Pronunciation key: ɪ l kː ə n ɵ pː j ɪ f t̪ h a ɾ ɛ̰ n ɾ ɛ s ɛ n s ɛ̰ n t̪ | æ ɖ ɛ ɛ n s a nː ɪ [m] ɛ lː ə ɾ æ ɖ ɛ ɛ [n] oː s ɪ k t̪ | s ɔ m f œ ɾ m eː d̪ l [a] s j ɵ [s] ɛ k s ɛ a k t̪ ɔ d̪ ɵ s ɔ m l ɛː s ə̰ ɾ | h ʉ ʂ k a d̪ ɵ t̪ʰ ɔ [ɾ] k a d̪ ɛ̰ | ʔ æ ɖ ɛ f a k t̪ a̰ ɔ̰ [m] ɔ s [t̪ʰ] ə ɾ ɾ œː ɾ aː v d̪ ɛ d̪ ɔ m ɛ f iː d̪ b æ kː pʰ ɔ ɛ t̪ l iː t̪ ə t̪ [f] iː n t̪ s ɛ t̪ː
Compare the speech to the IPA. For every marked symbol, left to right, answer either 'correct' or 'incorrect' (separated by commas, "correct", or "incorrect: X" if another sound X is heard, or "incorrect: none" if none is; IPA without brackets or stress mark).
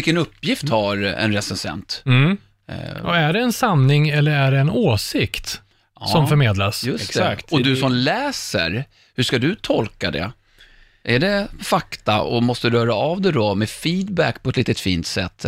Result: incorrect: ŋ, correct, correct, correct, incorrect: l, correct, incorrect: t̪, correct